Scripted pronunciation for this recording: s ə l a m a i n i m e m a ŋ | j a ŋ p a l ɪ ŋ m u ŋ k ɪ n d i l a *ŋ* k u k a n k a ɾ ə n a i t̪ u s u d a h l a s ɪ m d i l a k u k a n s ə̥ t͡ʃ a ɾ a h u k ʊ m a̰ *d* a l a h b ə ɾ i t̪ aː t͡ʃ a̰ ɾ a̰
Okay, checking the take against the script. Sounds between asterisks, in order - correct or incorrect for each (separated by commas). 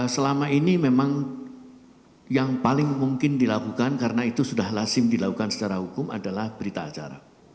incorrect, correct